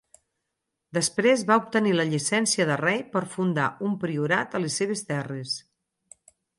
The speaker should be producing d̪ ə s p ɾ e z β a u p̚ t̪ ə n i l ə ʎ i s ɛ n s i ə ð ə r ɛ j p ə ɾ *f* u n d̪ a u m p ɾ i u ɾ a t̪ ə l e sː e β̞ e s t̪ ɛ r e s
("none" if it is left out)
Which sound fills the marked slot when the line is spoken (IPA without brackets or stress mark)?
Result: f